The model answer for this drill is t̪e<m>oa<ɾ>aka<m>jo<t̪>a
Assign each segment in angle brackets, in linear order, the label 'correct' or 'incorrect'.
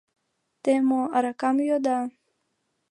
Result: correct, correct, correct, incorrect

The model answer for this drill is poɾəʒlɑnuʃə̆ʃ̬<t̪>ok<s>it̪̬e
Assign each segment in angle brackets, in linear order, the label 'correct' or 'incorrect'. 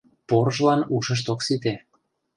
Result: correct, correct

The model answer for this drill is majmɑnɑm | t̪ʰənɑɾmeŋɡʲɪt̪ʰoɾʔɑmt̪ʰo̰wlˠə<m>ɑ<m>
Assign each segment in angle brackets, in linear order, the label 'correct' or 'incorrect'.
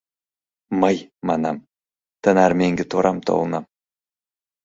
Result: incorrect, correct

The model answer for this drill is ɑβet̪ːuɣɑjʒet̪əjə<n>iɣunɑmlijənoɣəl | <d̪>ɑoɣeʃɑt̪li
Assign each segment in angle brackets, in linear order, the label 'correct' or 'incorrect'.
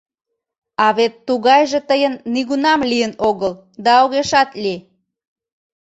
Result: incorrect, correct

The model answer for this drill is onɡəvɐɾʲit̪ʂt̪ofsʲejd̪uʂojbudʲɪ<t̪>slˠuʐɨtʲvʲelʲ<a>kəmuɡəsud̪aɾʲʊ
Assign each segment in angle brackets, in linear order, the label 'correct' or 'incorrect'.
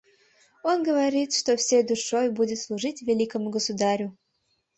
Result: correct, incorrect

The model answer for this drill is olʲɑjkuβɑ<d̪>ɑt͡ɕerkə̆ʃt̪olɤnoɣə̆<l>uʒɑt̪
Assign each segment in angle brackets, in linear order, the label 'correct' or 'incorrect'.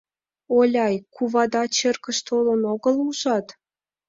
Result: correct, correct

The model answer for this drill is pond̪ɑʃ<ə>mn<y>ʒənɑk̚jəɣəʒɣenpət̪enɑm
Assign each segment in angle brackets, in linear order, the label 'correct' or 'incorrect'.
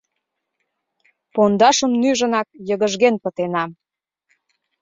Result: correct, correct

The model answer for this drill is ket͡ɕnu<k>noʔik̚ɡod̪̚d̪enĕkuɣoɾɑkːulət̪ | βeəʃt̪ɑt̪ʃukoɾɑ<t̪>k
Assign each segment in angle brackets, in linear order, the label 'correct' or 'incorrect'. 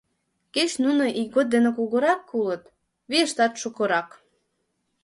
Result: incorrect, incorrect

